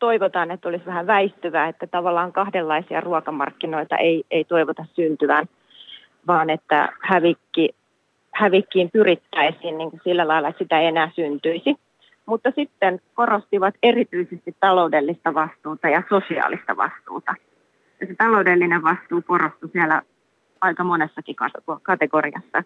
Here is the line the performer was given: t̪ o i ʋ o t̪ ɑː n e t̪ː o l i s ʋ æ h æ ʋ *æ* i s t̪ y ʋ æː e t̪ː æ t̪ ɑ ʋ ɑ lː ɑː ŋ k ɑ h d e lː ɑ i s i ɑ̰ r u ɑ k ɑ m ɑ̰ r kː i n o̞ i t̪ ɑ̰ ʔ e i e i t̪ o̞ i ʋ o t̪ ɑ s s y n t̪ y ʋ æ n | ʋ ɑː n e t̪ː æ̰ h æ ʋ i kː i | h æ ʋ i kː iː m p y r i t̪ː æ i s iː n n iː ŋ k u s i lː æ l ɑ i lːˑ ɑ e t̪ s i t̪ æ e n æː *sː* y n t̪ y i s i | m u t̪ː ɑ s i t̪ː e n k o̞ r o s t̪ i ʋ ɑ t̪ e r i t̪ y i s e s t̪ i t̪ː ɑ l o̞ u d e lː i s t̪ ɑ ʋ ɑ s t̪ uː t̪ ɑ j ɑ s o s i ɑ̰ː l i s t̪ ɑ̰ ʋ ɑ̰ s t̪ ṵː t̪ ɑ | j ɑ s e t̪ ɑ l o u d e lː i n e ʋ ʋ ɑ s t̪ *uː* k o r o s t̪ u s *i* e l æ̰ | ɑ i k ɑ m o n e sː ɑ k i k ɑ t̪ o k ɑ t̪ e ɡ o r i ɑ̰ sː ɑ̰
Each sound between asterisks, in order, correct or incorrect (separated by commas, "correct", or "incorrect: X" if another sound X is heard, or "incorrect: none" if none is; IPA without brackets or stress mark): correct, incorrect: s, correct, correct